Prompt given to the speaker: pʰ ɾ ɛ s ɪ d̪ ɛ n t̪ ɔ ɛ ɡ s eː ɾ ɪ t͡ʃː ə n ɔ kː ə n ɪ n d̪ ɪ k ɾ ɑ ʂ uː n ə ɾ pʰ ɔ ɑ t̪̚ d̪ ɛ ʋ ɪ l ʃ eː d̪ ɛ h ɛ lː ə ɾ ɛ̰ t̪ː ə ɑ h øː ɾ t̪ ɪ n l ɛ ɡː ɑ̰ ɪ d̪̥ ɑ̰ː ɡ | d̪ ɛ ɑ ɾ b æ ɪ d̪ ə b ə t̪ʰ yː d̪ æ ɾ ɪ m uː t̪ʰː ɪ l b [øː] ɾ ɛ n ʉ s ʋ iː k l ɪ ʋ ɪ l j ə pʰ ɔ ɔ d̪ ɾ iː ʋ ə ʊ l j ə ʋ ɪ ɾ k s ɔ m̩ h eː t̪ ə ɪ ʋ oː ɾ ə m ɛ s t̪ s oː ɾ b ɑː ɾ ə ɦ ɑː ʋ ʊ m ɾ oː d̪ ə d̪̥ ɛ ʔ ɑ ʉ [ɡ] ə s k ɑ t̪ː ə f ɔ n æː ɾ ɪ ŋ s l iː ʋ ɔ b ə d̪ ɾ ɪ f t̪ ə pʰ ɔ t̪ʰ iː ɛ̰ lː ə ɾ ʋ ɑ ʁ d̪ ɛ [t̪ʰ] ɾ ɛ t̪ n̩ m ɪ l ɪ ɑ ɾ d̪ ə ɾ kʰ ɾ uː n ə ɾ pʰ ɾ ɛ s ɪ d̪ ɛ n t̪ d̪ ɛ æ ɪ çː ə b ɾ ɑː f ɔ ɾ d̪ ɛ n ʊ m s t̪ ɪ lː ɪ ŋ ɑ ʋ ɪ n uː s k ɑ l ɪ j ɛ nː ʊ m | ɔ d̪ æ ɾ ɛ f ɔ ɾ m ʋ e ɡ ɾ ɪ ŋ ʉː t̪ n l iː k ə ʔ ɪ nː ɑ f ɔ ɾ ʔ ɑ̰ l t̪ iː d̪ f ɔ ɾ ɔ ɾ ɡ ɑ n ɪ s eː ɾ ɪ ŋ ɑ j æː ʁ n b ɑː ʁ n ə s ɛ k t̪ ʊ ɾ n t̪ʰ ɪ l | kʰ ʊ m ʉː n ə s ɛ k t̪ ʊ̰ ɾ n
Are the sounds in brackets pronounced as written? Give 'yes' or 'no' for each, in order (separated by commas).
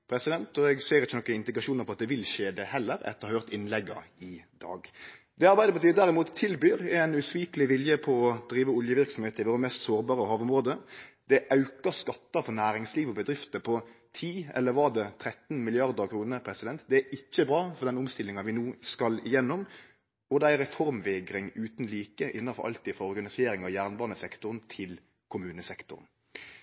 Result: no, no, yes